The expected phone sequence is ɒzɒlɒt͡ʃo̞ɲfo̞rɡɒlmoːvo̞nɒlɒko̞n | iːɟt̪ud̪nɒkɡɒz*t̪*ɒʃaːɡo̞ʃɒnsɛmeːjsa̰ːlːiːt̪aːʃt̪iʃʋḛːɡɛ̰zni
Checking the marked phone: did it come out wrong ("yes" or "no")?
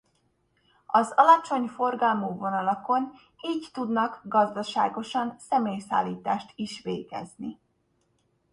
yes